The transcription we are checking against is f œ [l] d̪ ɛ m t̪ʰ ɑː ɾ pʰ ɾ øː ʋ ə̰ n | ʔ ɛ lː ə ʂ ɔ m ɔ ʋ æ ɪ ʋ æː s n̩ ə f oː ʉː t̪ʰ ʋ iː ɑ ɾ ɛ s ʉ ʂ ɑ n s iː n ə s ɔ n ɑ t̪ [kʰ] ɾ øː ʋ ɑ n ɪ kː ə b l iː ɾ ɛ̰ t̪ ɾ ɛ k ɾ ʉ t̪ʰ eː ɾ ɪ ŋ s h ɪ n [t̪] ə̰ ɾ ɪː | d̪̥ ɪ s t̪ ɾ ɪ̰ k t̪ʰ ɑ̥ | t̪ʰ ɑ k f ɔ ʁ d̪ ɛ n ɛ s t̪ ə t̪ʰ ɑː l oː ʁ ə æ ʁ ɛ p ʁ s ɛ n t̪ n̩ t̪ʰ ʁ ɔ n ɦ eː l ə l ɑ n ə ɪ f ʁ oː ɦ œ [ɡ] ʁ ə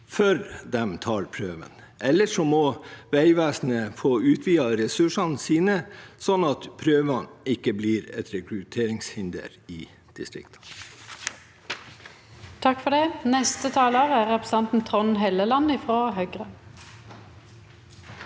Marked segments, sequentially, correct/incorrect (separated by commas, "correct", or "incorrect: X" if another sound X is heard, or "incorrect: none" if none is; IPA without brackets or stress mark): incorrect: ɾ, incorrect: pʰ, incorrect: d̪, correct